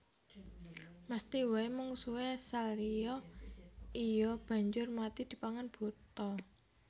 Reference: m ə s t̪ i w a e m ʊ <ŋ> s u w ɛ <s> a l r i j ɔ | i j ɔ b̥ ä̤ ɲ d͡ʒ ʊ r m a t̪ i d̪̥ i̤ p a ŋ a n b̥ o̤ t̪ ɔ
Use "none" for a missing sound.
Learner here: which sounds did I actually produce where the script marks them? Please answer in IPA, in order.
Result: ŋ, s

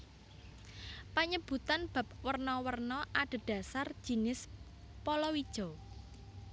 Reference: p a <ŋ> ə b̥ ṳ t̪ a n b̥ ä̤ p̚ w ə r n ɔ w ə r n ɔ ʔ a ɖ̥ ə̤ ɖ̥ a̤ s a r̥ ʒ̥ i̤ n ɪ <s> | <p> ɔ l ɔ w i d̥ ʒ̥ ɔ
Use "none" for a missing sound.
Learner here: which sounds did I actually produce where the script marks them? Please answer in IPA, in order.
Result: ɲ, s, p

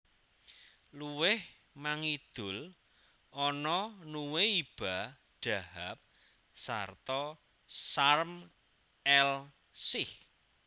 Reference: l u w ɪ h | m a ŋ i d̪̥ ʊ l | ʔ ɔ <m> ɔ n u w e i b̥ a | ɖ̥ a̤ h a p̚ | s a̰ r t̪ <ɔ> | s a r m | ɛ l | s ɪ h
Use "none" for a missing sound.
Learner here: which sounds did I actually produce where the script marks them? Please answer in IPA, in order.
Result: n, ɔ

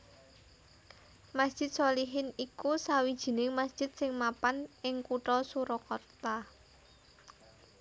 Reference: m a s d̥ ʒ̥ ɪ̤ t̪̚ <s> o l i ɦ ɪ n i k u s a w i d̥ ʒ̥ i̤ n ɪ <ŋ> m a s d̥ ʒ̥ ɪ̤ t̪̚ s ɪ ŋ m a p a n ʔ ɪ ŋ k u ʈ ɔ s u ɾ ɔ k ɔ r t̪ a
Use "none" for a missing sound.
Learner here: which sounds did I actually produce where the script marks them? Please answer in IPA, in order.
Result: s, ŋ

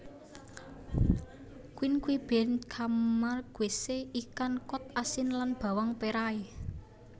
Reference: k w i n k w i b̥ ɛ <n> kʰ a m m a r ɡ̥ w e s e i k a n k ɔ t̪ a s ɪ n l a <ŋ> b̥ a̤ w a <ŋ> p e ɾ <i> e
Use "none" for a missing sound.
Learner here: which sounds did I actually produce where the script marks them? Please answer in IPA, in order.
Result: n, n, ŋ, a

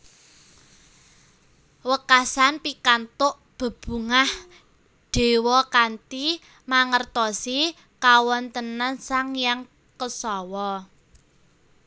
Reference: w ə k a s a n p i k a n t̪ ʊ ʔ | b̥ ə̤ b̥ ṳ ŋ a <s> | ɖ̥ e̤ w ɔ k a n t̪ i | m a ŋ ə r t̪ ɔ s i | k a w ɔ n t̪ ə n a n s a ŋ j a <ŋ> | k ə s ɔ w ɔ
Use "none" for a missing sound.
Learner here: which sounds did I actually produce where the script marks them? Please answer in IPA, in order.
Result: h, ŋ

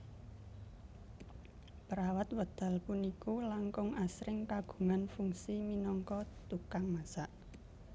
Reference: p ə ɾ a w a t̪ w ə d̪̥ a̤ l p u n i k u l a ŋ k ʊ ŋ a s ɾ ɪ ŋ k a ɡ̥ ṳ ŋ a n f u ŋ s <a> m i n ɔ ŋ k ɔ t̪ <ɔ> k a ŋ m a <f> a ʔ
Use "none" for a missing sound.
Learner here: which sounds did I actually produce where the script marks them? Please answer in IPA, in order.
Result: i, u, s

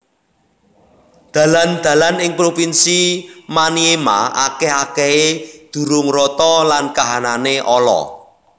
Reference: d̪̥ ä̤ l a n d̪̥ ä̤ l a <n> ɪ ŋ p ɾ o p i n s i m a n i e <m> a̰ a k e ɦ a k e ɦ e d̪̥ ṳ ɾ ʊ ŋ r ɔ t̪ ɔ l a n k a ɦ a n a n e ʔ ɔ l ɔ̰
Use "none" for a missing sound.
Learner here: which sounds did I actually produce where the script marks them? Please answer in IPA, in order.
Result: n, m

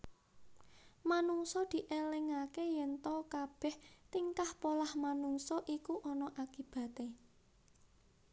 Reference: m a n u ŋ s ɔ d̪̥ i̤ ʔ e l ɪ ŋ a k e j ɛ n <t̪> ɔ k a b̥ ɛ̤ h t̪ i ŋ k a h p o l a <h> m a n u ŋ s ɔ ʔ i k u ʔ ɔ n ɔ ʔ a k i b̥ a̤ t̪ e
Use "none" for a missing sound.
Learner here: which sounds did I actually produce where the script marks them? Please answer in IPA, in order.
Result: t̪, h

